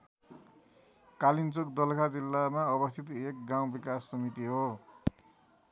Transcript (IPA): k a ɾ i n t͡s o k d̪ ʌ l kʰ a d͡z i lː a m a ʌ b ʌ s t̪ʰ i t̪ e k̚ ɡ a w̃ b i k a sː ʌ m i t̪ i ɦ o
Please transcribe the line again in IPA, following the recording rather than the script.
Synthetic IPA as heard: k a l i n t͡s o k d̪ ʌ l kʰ a d͡z i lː a m a ʌ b ʌ s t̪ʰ i t̪ e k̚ ɡ a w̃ b i k a sː ʌ m i t̪ i ɦ o